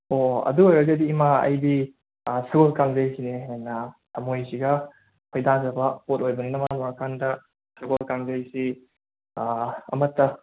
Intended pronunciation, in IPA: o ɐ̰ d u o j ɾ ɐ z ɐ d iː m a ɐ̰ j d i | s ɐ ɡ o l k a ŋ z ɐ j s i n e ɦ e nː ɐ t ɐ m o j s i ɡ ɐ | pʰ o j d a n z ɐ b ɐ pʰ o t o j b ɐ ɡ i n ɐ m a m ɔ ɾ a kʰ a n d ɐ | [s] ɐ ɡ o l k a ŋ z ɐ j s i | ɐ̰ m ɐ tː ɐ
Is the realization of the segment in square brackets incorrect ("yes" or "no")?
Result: no